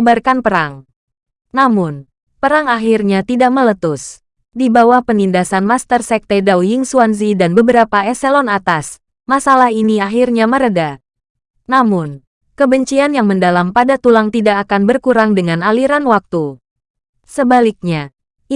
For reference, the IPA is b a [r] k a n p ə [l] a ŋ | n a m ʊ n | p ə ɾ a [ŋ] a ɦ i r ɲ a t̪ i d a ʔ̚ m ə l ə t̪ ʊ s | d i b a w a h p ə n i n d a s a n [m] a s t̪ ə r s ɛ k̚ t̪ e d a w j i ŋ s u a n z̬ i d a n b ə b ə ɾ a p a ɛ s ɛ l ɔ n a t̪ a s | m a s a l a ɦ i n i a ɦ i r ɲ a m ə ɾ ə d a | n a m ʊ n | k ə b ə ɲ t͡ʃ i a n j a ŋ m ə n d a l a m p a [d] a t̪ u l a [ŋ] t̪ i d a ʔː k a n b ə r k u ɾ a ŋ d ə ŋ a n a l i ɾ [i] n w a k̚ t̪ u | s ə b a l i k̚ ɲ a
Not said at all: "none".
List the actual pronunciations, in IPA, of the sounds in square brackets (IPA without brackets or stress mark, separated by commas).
r, ɾ, ŋ, m, d, ŋ, a